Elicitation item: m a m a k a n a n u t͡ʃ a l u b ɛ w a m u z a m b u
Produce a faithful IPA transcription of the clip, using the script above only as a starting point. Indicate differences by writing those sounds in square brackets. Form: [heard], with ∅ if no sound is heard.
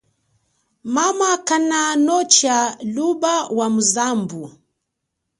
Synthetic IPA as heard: m a m a k a n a n [ɔ] t͡ʃ a l u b [a] w a m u z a m b u